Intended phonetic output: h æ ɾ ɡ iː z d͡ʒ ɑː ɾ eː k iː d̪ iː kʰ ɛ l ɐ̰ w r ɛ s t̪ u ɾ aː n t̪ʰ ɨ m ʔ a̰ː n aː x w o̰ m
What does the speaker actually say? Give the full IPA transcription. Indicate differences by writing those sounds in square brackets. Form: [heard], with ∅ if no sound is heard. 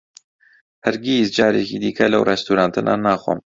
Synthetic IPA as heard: h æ ɾ ɡ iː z d͡ʒ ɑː ɾ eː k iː d̪ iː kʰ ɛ l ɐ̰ w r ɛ s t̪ u ɾ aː n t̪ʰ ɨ [n] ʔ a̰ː n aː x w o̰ m